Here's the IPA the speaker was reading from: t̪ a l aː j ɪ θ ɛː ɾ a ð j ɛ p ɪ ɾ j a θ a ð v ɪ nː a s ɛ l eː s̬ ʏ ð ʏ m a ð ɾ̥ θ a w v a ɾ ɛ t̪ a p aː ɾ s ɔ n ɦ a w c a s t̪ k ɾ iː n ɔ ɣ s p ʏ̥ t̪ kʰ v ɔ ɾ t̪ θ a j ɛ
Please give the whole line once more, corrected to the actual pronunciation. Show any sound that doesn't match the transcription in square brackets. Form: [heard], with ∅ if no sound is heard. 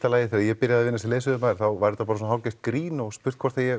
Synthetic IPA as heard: t̪ a l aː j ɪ θ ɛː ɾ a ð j ɛ p ɪ ɾ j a [ð] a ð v ɪ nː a s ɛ l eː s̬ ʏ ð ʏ m a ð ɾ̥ θ a w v a ɾ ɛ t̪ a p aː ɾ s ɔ n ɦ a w c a s t̪ k ɾ iː n ɔ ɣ s p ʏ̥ t̪ kʰ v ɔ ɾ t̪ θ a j ɛ